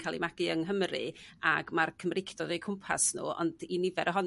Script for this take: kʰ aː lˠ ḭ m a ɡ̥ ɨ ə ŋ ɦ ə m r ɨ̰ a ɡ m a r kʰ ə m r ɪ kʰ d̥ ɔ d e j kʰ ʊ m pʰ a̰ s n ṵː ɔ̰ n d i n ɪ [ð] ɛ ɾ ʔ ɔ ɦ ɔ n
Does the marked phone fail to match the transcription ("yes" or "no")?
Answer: yes